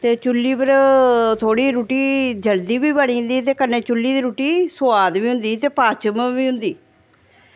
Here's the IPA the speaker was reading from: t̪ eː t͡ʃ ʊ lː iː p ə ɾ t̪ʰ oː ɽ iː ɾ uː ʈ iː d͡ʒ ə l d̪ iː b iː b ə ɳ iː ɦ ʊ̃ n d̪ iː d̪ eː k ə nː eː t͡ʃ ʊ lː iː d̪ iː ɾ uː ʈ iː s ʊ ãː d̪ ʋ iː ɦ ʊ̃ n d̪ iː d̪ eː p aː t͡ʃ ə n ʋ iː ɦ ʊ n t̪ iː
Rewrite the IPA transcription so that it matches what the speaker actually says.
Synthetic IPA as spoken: t̪ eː t͡ʃ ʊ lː iː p ə ɾ t̪ʰ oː ɽ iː ɾ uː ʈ iː d͡ʒ ə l d̪ iː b iː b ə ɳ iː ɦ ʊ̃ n d̪ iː t̪ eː k ə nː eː t͡ʃ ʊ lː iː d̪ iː ɾ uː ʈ iː s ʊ aː d̪ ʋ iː ɦ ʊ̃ n d̪ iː t̪ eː p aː t͡ʃ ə m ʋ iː ɦ ʊ n d̪ iː